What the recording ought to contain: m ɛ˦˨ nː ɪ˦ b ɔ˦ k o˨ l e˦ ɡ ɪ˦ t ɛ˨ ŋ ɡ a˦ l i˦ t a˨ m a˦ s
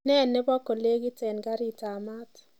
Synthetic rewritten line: n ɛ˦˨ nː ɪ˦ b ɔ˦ k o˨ l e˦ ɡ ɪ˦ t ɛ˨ n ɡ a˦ ɾ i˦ t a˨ m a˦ t